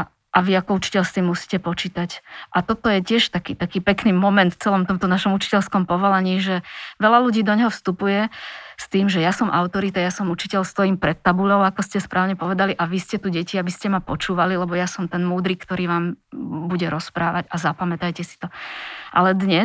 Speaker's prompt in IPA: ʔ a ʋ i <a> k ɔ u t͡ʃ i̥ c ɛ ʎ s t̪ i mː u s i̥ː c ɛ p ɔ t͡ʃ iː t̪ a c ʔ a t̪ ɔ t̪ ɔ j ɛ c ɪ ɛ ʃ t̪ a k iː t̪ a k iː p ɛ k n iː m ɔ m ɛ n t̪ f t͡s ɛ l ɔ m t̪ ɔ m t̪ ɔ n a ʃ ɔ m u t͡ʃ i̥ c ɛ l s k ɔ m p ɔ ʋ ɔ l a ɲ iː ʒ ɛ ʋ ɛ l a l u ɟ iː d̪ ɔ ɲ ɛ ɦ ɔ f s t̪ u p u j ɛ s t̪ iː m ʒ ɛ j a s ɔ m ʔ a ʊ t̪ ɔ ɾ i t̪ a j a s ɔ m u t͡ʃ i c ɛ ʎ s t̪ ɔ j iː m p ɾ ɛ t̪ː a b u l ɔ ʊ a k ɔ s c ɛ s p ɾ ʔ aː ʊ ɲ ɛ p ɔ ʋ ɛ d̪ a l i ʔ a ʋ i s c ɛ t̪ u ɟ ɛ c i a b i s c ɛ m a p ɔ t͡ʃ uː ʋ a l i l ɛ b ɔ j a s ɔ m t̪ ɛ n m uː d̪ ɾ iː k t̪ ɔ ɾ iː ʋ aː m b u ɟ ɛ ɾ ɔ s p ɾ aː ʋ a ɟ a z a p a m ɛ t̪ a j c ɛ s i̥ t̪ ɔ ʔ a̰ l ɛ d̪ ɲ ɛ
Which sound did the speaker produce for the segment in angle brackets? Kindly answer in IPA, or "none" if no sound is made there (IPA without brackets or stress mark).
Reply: a